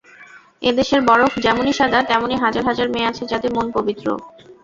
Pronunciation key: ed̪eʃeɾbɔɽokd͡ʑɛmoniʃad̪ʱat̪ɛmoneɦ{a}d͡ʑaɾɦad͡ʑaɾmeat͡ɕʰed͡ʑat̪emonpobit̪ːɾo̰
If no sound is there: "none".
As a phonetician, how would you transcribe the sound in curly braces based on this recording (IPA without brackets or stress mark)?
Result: a